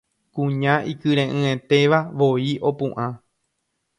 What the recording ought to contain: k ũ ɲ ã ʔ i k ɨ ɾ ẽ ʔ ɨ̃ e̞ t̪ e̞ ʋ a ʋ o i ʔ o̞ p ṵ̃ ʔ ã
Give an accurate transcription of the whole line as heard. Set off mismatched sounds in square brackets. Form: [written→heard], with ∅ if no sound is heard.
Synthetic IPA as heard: k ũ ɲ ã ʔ i k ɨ ɾ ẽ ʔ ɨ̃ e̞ t̪ e̞ ʋ a ʋ o i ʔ o̞ p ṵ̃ ʔ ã

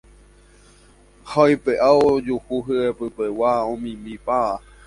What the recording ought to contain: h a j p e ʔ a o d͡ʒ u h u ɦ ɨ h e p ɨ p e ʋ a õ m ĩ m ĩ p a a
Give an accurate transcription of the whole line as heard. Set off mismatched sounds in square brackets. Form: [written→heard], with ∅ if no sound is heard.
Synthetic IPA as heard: h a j p e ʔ a o d͡ʒ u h u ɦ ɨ [h→∅] e p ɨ p e [ʋ→w] a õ m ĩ m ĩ p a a

